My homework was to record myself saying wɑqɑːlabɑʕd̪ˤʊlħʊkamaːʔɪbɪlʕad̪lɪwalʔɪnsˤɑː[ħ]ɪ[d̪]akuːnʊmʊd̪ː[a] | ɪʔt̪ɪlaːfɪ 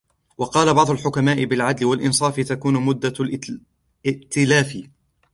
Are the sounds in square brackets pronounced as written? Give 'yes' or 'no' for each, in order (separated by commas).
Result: no, no, yes